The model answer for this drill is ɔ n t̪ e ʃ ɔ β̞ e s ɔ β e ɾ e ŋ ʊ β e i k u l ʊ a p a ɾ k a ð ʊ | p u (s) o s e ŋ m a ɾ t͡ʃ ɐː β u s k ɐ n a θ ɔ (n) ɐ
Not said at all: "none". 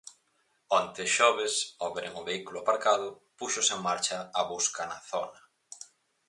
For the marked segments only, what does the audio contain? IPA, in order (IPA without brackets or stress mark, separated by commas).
ʃ, n